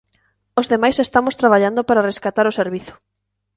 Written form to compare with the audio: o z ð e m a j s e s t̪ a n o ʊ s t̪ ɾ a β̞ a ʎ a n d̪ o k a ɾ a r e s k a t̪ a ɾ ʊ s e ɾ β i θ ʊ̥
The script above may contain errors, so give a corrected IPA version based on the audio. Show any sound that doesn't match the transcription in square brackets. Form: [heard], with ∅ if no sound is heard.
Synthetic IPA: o z ð e m a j s e s t̪ a [m] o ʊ s t̪ ɾ a β̞ a ʎ a n d̪ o [p] a ɾ a r e s k a t̪ a ɾ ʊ s e ɾ β i θ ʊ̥